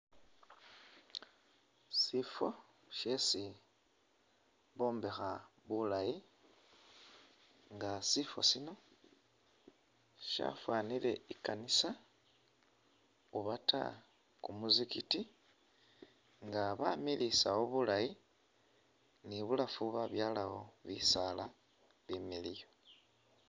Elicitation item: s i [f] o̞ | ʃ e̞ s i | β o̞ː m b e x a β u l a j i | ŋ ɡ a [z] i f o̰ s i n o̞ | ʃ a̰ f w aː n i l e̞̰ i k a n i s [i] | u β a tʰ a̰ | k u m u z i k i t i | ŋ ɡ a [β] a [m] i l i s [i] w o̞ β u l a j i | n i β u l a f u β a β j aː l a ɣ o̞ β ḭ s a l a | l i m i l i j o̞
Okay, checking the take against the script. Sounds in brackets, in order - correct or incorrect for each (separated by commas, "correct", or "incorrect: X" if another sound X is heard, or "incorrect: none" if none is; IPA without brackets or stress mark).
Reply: correct, incorrect: s, incorrect: a, correct, correct, incorrect: a